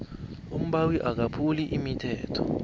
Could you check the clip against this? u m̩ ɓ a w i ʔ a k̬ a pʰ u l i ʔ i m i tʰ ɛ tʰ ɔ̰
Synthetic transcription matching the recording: u m̩ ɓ a w i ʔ a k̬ a pʰ u l i ʔ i m i tʰ ɛː tʰ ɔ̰